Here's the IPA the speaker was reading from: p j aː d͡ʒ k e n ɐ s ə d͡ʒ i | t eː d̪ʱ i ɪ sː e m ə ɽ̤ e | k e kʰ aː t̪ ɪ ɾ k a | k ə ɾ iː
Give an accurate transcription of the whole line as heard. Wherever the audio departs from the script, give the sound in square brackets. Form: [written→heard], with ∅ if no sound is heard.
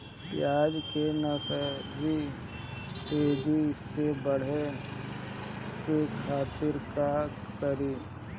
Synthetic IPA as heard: p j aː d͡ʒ k e n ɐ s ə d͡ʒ i | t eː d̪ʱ i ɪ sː e [m→b] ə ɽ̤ e | k e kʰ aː t̪ ɪ ɾ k a | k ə ɾ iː